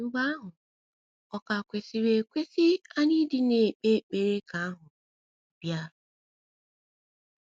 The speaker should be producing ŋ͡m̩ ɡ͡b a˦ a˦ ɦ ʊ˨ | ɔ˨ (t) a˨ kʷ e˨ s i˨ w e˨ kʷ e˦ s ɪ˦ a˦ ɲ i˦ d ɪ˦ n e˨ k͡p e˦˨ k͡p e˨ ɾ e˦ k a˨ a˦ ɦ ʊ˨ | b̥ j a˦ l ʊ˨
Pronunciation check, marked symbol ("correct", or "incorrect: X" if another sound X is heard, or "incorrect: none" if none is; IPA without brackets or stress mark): incorrect: k